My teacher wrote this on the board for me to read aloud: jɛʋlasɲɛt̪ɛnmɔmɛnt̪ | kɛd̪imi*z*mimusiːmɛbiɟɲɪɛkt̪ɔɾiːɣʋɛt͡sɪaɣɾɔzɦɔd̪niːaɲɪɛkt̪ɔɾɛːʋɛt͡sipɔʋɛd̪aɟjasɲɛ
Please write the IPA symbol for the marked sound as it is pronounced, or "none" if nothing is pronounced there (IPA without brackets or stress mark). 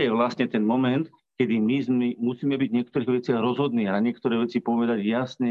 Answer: z